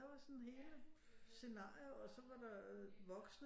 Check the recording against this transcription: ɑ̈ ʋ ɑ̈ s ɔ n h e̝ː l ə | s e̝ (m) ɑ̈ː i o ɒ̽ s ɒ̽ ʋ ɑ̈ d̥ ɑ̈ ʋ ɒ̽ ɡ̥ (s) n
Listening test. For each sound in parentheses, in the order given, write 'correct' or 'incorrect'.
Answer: incorrect, correct

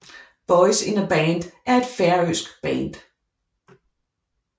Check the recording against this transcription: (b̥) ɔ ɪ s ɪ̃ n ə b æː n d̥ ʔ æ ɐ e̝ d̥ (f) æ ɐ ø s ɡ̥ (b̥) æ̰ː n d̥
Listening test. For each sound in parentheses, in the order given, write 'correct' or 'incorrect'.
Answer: correct, correct, correct

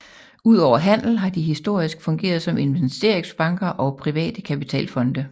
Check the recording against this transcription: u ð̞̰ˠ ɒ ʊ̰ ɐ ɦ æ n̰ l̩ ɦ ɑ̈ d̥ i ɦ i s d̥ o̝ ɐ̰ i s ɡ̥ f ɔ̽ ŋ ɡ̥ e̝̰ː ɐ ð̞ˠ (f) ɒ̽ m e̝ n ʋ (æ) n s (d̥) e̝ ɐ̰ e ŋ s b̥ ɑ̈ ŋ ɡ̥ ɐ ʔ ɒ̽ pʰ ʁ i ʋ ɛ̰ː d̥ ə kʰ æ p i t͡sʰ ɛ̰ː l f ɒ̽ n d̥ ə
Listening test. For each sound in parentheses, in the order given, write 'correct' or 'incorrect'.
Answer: incorrect, incorrect, correct

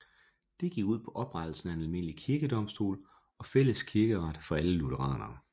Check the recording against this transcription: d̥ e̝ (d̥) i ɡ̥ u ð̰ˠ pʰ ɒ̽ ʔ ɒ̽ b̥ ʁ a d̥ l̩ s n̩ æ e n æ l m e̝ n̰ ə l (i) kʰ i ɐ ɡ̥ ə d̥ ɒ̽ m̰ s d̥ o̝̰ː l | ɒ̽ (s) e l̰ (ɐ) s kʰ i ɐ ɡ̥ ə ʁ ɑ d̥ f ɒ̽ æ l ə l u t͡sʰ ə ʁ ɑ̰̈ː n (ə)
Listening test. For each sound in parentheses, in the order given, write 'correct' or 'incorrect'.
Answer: incorrect, correct, incorrect, incorrect, incorrect

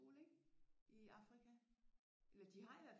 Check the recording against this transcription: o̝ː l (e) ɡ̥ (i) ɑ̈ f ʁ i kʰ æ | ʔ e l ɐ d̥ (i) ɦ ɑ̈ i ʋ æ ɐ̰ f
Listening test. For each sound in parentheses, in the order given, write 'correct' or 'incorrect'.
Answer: correct, correct, correct

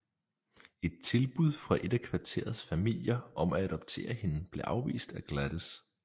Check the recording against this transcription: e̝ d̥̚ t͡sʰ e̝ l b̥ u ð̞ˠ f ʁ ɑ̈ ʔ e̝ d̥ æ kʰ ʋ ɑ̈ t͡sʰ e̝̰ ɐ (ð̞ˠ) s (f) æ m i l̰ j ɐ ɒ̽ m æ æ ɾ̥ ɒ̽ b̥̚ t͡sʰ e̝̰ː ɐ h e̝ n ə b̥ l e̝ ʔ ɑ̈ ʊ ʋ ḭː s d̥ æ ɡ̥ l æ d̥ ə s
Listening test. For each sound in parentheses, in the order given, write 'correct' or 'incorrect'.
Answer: correct, correct

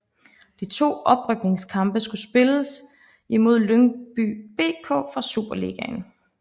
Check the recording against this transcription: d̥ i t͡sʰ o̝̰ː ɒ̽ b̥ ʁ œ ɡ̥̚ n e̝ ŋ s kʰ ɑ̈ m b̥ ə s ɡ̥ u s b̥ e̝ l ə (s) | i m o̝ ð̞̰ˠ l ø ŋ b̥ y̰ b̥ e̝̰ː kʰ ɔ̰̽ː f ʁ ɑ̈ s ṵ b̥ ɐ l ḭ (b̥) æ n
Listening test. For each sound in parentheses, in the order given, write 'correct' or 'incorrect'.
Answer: correct, incorrect

